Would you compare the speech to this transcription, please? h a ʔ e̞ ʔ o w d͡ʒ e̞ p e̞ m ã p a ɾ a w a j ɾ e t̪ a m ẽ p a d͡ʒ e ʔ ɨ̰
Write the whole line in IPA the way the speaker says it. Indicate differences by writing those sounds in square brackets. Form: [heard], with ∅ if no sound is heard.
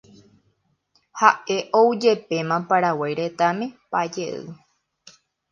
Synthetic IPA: h a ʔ e̞ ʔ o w d͡ʒ e̞ p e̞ m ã p a ɾ a w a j ɾ e t̪ a m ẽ p a d͡ʒ e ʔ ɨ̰